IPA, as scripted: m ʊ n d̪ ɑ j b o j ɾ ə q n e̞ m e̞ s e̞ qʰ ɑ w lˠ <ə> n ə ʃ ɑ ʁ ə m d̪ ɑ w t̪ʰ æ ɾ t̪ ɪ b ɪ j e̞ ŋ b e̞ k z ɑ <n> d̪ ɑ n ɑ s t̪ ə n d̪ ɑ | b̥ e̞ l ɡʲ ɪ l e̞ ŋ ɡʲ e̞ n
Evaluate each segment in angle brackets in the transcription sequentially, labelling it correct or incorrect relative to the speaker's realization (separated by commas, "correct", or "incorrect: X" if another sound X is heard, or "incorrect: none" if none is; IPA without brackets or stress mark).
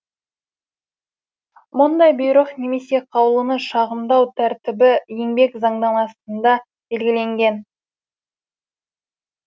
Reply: correct, incorrect: ɴ